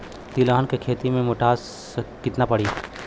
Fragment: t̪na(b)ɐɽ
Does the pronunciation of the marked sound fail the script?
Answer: yes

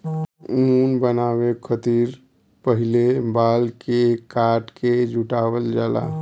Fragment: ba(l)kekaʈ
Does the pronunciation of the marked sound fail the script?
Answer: no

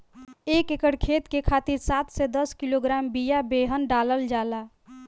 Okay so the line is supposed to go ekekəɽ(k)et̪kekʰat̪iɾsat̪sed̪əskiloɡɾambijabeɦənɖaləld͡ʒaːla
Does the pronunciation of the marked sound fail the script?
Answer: yes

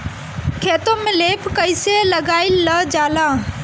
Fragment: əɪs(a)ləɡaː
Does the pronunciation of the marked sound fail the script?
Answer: yes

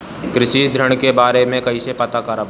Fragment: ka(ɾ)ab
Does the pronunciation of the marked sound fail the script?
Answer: no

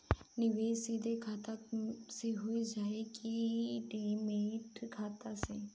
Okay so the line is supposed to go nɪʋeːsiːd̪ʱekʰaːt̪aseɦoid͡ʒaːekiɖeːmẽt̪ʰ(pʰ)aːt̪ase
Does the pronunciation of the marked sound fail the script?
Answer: yes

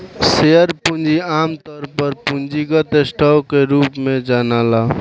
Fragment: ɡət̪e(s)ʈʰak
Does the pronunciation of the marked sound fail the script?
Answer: no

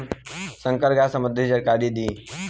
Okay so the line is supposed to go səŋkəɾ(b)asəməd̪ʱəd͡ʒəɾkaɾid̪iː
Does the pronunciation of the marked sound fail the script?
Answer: yes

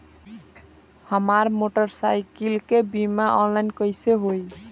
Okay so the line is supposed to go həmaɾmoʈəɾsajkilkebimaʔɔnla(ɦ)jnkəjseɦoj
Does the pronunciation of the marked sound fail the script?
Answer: yes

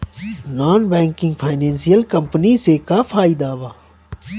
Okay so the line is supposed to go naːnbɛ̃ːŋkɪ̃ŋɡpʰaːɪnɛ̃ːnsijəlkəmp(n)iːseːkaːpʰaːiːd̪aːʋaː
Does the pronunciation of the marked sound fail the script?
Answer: no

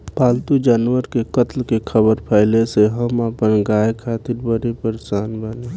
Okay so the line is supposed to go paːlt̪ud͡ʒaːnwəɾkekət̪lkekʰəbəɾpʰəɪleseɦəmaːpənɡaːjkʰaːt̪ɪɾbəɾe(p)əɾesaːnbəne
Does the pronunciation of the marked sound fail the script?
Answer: no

